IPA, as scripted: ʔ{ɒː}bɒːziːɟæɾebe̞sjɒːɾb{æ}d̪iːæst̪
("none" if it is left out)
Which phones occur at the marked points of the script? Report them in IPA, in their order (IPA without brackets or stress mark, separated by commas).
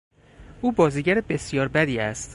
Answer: uː, æ